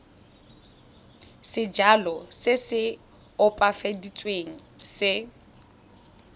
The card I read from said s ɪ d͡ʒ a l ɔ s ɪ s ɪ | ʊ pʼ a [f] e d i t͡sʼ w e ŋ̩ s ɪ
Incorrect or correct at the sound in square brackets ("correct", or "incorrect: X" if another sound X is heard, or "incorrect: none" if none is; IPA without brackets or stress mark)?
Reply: correct